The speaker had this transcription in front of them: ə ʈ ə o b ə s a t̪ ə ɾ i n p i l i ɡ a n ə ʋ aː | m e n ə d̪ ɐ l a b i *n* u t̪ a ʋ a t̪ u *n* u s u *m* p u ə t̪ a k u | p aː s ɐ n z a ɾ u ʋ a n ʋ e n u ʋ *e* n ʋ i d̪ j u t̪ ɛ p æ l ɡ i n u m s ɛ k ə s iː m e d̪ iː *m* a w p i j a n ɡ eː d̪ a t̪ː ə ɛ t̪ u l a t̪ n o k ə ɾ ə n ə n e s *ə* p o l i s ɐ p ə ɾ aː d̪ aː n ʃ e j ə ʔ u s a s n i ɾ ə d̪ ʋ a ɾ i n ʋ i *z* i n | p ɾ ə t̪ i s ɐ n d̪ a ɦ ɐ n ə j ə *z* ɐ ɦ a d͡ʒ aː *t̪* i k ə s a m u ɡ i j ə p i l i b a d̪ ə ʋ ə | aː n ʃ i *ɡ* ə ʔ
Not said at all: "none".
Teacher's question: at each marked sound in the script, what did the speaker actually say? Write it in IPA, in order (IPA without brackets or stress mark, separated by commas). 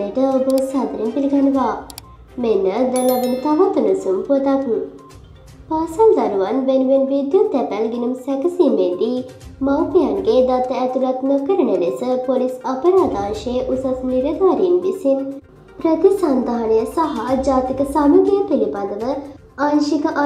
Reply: n, n, m, e, m, ə, s, s, t̪, k